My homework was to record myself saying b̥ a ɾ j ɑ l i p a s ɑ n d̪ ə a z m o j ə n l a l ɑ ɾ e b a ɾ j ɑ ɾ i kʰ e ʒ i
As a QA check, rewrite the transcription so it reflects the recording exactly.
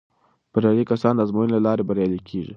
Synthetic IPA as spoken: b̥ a ɾ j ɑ l i k a s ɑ n d̪ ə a z m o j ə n l a l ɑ ɾ e b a ɾ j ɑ l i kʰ e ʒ i

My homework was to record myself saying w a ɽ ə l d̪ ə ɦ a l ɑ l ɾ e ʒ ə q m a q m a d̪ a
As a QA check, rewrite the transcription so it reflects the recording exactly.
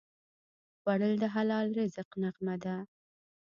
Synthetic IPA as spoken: w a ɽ ə l d̪ ə ɦ a l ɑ l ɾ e z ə q n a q m a d̪ a

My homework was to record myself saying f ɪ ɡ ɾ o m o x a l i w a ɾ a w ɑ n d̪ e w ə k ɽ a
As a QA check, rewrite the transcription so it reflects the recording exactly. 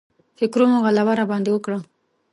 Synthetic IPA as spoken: f ɪ k ɾ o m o ɣ a l a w a ɾ a b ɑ n d̪ e w ə k ɽ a

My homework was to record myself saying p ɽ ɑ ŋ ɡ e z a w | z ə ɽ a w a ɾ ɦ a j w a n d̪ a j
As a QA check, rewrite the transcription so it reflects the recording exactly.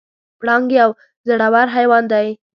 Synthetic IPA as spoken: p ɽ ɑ ŋ ɡ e a w | z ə ɽ a w a ɾ ɦ a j w ɑ n d̪ a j

